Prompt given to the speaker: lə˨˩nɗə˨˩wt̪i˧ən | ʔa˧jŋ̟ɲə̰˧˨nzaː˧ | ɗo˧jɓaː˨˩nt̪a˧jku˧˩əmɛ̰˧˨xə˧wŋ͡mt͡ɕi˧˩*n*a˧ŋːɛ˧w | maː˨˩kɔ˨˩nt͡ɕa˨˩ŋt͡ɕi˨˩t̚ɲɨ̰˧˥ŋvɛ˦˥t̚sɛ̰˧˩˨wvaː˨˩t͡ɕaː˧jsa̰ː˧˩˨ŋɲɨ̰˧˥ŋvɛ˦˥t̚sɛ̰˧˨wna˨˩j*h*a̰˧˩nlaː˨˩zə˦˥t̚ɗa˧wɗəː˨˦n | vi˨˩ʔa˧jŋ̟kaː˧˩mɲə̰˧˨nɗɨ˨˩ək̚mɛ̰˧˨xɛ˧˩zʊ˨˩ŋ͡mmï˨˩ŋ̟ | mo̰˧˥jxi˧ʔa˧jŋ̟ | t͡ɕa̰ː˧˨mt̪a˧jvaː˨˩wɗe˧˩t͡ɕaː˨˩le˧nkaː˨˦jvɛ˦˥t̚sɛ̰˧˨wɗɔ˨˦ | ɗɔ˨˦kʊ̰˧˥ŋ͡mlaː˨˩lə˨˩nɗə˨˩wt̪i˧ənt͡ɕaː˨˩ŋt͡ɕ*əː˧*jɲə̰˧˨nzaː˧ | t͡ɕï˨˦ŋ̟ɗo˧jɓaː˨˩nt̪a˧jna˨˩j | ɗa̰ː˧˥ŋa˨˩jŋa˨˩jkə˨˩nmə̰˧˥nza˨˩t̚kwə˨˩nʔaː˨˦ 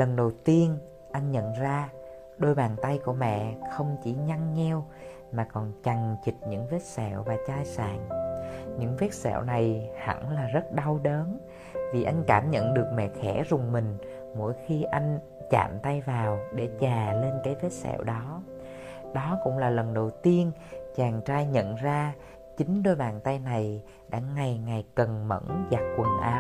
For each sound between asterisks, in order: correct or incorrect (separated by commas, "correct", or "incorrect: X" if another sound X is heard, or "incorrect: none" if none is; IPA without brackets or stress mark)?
incorrect: ɲ, correct, incorrect: aː˧